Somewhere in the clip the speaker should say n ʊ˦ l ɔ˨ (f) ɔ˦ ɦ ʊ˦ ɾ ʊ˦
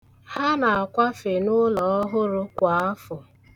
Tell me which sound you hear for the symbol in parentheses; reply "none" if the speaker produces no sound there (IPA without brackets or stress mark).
none